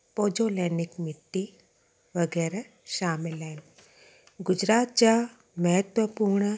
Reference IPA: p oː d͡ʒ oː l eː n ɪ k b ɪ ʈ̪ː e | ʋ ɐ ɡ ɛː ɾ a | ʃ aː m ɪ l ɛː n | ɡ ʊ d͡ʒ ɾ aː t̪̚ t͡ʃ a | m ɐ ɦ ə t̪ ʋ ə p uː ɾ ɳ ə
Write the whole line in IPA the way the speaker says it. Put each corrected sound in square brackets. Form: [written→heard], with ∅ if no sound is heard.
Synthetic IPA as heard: p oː d͡ʒ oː l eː n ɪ k [b→m] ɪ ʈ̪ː [e→i] | ʋ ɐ ɡ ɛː ɾ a | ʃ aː m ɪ l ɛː n | ɡ ʊ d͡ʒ ɾ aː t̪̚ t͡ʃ a | m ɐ ɦ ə t̪ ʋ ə p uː ɾ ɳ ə